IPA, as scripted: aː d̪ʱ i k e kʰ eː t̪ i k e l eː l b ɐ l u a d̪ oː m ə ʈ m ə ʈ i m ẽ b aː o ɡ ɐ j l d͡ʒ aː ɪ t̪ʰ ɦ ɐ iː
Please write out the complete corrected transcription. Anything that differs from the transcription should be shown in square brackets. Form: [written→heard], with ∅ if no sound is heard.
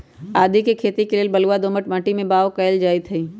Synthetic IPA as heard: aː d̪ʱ i k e kʰ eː t̪ i k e l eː l b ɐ l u a d̪ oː m ə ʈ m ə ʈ i m ẽ b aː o [ɡ→k] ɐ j l d͡ʒ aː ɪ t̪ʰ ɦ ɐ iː